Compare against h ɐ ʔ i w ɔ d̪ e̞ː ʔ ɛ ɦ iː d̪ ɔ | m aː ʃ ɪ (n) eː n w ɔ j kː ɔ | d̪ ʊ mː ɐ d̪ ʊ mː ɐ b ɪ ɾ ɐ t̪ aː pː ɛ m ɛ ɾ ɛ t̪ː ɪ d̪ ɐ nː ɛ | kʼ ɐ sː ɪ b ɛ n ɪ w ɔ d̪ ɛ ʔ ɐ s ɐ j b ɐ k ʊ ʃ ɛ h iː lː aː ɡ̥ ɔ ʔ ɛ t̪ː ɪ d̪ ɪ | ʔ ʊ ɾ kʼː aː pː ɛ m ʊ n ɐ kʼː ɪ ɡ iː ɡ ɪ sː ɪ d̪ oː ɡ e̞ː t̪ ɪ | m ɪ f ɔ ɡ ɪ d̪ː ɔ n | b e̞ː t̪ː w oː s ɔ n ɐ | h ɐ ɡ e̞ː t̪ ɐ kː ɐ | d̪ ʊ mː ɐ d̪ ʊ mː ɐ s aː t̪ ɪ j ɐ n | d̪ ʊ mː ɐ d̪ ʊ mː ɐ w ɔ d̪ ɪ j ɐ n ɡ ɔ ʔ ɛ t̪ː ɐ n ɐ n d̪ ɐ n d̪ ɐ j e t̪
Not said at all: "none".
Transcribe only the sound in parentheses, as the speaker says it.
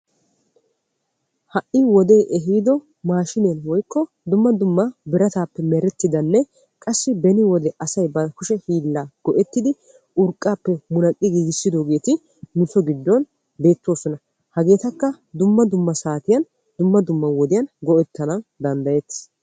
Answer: n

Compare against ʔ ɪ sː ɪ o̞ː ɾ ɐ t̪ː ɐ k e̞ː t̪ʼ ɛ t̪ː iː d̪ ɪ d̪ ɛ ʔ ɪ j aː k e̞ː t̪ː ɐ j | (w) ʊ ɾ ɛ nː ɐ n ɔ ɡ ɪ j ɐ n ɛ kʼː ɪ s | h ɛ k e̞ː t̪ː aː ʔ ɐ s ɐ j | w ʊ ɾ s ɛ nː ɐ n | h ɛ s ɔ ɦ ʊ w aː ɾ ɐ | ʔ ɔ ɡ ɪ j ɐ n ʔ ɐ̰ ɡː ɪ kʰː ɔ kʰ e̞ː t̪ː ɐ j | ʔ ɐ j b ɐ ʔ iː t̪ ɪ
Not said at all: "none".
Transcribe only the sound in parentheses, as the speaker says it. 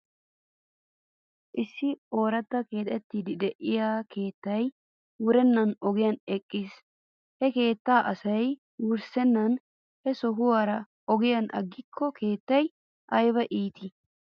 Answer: w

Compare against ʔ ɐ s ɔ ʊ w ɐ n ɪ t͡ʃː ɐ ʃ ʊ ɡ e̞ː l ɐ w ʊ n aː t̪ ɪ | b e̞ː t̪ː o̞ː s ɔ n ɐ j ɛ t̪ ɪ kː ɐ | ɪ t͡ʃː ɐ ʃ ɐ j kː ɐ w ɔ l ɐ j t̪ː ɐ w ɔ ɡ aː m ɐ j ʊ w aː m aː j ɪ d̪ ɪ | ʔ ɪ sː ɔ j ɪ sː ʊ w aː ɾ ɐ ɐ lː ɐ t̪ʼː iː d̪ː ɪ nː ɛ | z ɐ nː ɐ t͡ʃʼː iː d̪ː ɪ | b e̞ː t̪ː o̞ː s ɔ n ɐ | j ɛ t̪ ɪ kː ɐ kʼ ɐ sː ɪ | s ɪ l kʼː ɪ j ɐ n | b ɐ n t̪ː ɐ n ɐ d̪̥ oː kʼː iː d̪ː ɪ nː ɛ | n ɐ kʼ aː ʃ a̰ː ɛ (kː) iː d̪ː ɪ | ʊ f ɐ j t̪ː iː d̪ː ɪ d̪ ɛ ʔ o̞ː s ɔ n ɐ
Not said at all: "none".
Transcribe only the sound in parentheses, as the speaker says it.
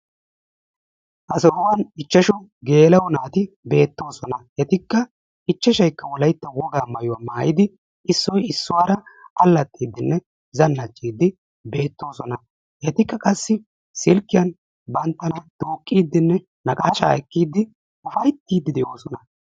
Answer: kː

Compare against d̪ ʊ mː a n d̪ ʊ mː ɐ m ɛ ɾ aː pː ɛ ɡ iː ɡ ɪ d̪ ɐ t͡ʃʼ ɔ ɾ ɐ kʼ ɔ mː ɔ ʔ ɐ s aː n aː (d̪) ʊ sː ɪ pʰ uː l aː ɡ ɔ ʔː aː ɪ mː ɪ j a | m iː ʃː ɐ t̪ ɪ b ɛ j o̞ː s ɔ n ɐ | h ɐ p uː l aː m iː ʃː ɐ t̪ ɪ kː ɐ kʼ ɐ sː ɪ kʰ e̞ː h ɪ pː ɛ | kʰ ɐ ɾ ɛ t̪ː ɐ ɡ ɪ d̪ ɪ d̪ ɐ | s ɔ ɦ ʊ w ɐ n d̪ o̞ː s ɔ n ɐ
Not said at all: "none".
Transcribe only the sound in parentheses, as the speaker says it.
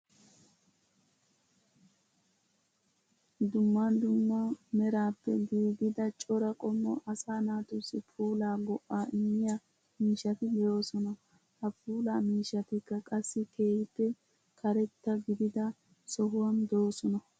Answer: t̪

